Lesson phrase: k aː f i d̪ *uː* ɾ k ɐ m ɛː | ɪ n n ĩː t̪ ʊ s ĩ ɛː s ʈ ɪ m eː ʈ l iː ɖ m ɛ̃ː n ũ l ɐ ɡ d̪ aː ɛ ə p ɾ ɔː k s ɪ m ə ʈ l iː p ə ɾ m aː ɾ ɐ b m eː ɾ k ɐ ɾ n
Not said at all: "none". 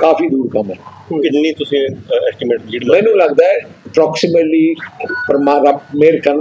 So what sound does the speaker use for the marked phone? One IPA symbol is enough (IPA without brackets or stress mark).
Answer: uː